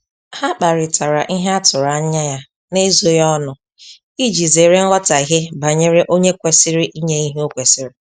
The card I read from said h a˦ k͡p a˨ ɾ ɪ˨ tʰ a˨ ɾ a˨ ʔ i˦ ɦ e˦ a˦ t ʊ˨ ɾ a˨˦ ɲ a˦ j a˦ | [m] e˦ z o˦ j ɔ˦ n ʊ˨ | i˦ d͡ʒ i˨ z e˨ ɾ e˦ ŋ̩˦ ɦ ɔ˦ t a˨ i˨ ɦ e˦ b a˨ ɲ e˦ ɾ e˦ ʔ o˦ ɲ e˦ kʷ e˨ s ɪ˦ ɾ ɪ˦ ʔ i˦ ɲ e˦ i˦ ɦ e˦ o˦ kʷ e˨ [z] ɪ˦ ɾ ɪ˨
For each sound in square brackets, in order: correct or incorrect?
incorrect: n, incorrect: s

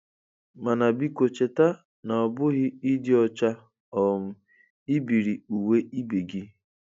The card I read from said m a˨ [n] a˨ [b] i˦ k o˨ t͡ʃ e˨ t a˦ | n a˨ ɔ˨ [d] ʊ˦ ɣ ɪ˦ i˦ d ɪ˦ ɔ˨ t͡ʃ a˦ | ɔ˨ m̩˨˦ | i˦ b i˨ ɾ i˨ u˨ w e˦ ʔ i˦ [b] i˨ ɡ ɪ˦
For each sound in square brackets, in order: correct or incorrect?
correct, correct, incorrect: b, correct

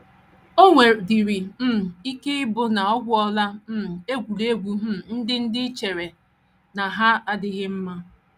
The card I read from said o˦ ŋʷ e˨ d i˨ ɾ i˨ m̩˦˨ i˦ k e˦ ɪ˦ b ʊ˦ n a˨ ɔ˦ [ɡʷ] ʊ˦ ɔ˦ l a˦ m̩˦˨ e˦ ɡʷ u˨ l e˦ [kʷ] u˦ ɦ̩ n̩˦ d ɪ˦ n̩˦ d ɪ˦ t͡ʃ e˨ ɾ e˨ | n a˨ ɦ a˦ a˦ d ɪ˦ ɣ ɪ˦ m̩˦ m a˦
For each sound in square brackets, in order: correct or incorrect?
correct, incorrect: ɡʷ

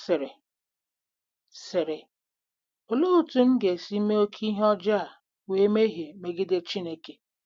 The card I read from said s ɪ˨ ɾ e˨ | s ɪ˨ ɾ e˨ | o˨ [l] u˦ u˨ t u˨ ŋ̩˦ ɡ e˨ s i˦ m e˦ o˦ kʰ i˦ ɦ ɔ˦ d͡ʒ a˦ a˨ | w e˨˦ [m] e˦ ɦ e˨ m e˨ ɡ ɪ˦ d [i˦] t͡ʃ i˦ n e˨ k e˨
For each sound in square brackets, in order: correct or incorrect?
correct, correct, incorrect: e˦

